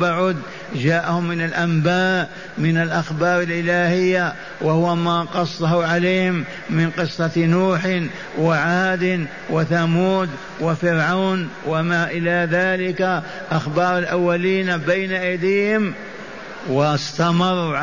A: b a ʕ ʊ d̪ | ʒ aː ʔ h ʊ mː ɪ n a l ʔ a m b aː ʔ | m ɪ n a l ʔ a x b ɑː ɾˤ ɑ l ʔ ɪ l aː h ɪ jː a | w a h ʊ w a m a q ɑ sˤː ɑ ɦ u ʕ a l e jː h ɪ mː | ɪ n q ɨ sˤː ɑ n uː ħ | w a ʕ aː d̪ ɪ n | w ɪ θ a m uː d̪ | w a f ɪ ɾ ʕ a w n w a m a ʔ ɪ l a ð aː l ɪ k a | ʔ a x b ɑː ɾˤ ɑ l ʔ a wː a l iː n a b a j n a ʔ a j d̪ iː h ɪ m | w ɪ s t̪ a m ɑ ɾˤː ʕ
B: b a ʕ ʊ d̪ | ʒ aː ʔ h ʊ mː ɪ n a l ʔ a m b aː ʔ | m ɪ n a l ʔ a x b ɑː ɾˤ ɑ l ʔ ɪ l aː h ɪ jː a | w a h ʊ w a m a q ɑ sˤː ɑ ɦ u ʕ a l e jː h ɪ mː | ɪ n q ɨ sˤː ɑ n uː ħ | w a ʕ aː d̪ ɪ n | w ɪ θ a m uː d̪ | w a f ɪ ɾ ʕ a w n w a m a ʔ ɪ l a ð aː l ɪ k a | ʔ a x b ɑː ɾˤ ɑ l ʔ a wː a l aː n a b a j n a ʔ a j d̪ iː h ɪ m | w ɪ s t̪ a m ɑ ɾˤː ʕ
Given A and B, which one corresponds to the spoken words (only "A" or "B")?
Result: A